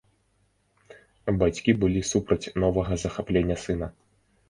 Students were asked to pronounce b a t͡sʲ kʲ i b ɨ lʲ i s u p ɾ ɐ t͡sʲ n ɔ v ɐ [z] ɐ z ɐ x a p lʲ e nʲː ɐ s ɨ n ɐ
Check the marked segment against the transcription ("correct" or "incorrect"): incorrect